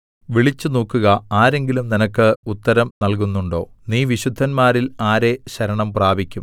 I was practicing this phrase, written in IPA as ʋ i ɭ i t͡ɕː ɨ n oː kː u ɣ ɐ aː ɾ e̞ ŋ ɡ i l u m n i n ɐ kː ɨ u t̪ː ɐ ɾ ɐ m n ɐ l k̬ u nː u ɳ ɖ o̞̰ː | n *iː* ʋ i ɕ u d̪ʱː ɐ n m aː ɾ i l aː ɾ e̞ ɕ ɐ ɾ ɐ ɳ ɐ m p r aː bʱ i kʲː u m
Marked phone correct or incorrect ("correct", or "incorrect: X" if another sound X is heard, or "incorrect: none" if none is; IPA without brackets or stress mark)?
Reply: correct